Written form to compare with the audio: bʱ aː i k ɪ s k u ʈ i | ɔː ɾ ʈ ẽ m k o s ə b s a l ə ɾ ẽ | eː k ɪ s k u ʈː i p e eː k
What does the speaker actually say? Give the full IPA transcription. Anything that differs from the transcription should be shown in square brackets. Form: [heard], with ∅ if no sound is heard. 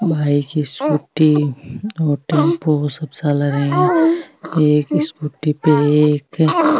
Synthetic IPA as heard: bʱ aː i k [i] s k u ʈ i | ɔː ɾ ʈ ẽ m [p] o s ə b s a l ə ɾ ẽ | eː k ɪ s k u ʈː i p e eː k